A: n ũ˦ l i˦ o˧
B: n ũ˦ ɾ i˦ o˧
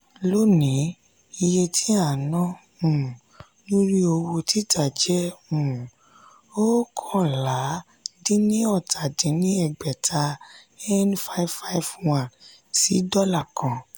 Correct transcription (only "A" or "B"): B